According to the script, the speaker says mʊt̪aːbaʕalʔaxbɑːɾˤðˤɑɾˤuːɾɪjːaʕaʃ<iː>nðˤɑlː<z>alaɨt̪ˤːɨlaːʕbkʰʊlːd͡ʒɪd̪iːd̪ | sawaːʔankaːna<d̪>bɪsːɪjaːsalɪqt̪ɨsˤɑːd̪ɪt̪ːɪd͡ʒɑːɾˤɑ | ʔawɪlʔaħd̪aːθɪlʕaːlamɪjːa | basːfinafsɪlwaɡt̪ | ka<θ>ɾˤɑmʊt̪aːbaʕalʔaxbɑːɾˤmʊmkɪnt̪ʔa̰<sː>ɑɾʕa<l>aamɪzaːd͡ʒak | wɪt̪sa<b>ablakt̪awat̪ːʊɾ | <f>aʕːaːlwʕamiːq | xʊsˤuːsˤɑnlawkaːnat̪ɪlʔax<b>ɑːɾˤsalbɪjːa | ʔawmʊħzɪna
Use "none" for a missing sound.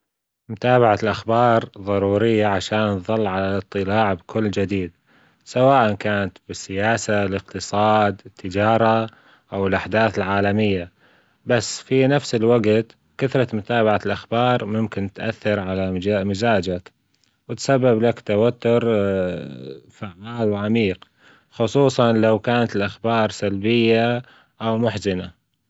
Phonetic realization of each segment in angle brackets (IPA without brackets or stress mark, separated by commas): aː, ʕ, t̪, θ, θː, l, bː, f, b